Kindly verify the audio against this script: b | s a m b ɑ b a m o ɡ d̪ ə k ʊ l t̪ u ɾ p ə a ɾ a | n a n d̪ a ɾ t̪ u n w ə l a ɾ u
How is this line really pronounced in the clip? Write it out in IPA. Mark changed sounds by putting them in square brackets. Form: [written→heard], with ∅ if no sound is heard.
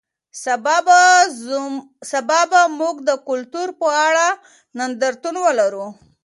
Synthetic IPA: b | s a [m→∅] b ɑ b a m [o→u] ɡ d̪ ə k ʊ l t̪ u ɾ p ə a [ɾ→ɽ] a | n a n d̪ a ɾ t̪ u n w ə l a ɾ u